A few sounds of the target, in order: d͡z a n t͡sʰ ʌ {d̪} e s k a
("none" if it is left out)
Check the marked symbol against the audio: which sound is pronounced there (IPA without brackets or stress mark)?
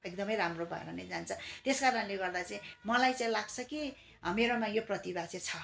t̪